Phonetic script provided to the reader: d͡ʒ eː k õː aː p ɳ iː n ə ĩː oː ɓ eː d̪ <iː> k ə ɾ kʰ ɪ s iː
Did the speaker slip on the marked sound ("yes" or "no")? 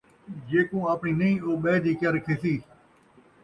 no